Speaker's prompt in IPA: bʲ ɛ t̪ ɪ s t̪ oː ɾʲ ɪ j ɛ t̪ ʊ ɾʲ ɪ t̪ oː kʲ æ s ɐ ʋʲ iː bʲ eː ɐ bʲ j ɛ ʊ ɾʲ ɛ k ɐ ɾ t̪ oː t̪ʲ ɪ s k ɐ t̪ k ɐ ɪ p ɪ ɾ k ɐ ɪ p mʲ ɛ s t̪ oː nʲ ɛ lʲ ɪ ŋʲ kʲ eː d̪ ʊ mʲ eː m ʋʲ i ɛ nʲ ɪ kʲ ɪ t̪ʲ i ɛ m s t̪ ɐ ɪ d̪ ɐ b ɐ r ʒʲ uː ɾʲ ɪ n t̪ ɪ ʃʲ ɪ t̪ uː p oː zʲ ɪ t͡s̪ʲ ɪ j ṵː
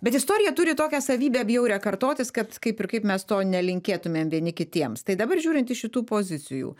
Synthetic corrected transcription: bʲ ɛ t̪ ɪ s t̪ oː ɾʲ ɪ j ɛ t̪ ʊ ɾʲ ɪ t̪ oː kʲ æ s ɐ ʋʲ iː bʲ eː ɐ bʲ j ɛ ʊ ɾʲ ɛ k ɐ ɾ t̪ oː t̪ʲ ɪ s k ɐ t̪ k ɐ ɪ p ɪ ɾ k ɐ ɪ p mʲ ɛ s t̪ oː nʲ ɛ lʲ ɪ ŋʲ kʲ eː t̪ ʊ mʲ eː m ʋʲ i ɛ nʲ ɪ kʲ ɪ t̪ʲ i ɛ m s t̪ ɐ ɪ d̪ ɐ b ɐ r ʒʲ uː ɾʲ ɪ n t̪ ɪ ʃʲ ɪ t̪ uː p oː zʲ ɪ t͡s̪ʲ ɪ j ṵː